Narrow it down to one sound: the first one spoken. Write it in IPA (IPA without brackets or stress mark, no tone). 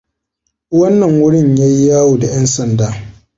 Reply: w